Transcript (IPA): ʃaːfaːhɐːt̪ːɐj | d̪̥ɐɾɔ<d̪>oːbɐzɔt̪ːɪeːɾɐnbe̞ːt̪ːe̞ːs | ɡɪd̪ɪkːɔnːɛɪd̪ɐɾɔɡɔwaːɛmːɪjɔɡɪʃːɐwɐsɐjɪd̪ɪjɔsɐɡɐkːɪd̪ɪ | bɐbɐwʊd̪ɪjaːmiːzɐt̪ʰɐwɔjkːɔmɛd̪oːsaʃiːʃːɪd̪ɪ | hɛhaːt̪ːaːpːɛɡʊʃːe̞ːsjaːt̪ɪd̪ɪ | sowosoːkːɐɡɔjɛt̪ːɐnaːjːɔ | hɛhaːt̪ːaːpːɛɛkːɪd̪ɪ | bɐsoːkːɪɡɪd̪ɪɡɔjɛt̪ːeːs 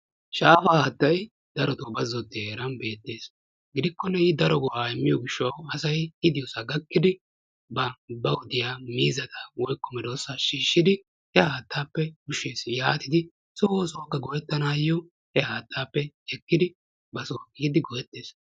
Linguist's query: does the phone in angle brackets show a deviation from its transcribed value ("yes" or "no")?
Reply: yes